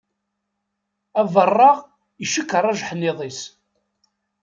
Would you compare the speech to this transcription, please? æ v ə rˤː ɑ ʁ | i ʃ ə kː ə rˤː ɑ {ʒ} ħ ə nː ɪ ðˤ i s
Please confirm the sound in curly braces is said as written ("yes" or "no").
yes